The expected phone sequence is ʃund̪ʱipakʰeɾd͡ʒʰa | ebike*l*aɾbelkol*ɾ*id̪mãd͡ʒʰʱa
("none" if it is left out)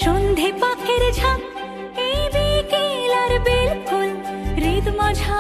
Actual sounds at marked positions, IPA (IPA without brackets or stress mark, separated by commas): l, ɾ